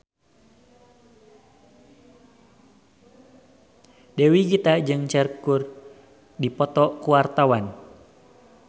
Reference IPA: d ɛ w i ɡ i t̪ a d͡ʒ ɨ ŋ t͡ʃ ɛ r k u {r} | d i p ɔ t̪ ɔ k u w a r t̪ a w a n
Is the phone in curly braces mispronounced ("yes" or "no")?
no